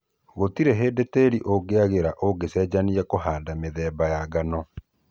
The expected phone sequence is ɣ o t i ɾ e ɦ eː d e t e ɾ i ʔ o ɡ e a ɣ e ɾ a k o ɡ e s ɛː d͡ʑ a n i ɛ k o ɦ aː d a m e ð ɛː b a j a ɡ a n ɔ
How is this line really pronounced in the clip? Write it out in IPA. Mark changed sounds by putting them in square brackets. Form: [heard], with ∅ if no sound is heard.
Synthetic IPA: ɣ o t i ɾ e ɦ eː d e t e ɾ i ʔ o ɡ e a ɣ e ɾ a [ʔ] o ɡ e s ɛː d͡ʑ a n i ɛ k o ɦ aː d a m e ð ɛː b a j a ɡ a n ɔ